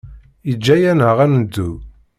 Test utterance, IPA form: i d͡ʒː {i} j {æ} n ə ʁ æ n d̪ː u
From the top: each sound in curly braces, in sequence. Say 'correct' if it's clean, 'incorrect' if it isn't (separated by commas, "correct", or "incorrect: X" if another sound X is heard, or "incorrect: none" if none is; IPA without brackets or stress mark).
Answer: incorrect: æ, correct